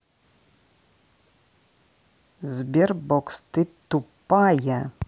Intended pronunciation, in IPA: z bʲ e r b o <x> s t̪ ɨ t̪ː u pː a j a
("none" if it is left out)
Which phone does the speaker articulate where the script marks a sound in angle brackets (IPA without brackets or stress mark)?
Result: k